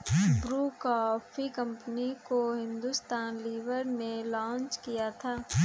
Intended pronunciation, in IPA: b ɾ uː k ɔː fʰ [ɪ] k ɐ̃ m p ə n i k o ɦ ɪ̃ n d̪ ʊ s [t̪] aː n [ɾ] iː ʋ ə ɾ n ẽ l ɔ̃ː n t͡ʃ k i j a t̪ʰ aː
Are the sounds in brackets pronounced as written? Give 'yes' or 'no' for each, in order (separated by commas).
no, yes, no